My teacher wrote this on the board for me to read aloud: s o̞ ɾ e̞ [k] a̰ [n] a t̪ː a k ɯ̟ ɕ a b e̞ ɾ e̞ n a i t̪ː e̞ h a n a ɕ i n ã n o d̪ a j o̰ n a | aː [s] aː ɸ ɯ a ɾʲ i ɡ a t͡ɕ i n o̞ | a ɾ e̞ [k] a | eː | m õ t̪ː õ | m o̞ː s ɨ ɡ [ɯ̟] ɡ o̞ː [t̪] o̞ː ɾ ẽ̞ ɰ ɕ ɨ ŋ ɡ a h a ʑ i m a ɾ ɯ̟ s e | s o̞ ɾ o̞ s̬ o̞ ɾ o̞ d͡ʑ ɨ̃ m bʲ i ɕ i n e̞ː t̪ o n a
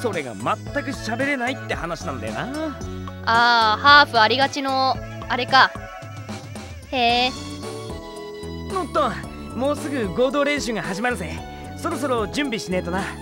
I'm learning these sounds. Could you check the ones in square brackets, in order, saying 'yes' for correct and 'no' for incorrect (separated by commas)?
no, no, no, yes, yes, no